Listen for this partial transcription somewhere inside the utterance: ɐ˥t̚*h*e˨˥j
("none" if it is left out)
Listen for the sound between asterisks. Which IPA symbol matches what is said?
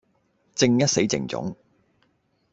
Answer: s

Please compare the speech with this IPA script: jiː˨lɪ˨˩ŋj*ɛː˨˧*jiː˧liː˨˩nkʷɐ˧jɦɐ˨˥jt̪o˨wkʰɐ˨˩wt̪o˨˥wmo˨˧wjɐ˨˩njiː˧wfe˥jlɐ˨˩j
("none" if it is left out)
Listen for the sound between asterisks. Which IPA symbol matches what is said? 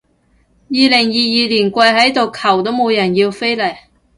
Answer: iː˨˧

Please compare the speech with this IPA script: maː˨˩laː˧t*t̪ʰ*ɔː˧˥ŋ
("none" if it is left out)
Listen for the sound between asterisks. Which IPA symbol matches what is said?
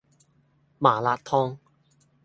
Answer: t̪ʰ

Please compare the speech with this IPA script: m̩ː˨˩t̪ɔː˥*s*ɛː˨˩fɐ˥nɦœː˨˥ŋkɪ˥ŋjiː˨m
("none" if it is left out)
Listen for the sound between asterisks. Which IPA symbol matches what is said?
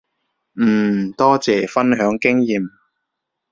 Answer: t͡s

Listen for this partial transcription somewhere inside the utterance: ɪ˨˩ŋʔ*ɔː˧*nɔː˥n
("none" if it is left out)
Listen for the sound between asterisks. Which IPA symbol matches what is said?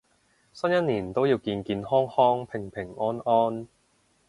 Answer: ɔː˥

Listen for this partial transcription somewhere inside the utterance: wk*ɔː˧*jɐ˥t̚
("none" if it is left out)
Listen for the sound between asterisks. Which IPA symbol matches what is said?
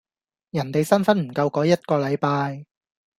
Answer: ɔː˨˥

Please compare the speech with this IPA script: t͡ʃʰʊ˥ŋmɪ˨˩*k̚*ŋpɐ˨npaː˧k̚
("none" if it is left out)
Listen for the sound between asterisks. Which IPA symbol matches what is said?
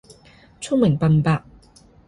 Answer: none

